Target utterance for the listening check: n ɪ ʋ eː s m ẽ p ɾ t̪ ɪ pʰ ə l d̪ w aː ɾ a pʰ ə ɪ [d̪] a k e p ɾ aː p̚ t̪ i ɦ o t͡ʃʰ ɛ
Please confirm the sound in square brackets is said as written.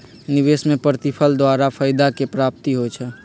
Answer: yes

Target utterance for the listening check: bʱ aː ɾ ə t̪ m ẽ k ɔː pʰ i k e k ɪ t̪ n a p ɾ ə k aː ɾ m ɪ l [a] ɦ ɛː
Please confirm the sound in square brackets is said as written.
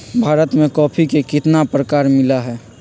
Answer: yes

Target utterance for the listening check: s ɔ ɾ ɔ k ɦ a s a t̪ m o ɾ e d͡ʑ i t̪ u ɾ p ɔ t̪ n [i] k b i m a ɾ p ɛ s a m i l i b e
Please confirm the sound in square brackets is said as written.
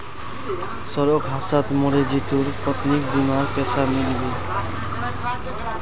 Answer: yes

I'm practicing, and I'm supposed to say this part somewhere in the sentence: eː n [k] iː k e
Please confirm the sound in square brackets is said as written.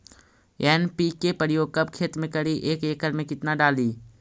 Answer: no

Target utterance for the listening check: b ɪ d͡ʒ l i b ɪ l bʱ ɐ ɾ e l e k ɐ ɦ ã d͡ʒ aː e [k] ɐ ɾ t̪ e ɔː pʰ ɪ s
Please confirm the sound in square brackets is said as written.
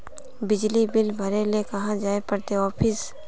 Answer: no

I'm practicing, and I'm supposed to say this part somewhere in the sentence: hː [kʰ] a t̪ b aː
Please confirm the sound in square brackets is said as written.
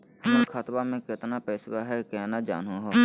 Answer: yes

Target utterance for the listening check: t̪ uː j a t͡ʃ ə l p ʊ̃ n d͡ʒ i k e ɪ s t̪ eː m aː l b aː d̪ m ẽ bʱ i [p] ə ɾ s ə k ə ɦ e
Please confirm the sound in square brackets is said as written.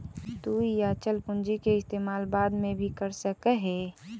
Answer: no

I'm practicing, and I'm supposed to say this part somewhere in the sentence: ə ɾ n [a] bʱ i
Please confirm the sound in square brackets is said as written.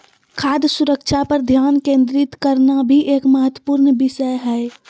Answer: yes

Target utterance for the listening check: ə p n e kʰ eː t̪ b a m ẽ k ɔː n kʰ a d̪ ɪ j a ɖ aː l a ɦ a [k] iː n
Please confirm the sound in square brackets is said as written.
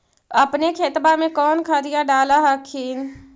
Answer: no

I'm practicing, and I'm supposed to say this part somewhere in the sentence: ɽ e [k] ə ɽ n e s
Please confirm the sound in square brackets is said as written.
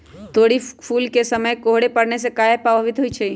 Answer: no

